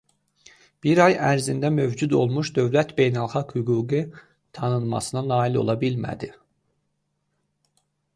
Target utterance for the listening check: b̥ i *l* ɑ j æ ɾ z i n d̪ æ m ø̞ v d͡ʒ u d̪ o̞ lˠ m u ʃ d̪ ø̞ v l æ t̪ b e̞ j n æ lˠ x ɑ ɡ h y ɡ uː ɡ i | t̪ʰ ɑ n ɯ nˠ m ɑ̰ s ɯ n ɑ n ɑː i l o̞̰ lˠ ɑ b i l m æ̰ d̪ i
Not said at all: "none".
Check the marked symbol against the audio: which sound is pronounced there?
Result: ɾ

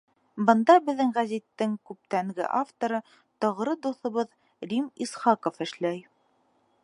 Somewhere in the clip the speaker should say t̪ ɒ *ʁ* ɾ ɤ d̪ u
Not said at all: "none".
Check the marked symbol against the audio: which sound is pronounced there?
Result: ʁ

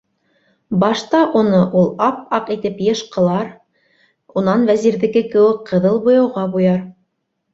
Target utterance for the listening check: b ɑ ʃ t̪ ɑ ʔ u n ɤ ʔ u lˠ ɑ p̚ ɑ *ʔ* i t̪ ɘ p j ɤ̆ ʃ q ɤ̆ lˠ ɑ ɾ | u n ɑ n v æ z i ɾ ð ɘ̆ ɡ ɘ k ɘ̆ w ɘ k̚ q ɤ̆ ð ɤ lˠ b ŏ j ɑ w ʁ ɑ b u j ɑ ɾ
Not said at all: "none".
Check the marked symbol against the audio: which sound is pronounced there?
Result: q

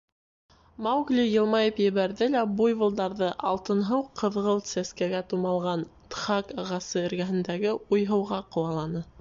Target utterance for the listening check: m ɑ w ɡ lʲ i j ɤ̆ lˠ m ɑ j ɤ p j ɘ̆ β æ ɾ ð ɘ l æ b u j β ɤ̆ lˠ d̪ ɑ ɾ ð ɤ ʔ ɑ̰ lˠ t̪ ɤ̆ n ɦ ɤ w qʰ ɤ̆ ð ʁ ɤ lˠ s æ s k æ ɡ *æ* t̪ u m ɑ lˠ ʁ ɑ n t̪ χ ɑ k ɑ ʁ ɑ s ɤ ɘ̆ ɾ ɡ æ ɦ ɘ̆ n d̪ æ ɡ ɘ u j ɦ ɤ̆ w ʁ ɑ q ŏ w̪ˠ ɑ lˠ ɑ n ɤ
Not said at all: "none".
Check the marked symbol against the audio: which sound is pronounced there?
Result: æ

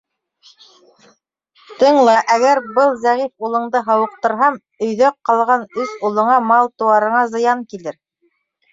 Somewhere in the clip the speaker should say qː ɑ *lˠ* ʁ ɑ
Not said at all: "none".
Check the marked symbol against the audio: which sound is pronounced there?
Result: lˠ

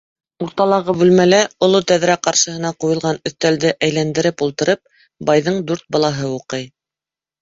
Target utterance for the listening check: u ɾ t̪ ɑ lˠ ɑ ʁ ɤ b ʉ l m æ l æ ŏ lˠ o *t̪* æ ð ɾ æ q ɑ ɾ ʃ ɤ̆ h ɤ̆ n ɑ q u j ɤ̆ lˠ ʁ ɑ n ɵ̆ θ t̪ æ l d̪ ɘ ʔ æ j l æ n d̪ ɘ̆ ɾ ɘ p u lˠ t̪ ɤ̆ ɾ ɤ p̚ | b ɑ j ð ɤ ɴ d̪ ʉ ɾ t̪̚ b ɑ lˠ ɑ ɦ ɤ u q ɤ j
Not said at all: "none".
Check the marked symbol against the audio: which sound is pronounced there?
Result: t̪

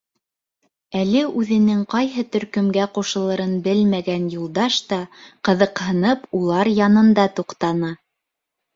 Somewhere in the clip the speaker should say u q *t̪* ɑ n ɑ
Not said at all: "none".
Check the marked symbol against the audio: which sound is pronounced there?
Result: t̪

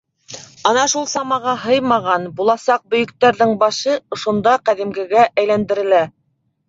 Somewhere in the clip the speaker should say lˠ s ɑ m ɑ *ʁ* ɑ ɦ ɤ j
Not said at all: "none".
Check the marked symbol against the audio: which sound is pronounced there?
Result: ʁ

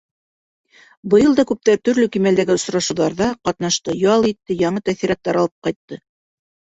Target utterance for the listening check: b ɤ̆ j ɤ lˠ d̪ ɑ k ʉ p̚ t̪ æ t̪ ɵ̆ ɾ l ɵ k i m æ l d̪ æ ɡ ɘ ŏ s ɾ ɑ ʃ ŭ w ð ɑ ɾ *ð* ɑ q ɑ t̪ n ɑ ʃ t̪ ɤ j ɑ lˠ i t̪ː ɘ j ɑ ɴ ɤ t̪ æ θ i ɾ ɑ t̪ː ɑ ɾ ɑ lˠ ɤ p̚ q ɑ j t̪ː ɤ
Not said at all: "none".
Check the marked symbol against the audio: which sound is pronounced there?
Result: ð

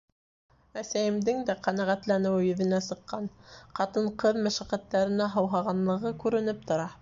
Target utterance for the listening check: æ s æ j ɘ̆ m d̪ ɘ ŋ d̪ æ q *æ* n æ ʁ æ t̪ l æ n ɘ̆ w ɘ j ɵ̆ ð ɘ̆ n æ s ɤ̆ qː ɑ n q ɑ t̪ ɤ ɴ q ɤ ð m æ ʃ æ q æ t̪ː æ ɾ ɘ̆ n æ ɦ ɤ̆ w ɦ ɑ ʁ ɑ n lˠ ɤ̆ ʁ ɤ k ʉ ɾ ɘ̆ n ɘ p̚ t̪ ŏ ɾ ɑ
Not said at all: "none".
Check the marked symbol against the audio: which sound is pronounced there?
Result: æ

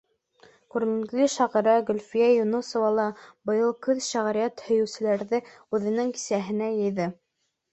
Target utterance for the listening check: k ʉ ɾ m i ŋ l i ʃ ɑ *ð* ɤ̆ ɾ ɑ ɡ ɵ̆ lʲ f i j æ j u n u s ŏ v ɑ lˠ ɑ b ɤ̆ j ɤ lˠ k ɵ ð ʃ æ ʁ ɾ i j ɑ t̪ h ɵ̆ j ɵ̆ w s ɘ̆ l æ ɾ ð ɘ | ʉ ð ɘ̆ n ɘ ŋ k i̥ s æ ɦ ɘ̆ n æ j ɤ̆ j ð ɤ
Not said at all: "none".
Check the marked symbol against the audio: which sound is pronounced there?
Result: ʁ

